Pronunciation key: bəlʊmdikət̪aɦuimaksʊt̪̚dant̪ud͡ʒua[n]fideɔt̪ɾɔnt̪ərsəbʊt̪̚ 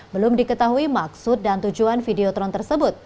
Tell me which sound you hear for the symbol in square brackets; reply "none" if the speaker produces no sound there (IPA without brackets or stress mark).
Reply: n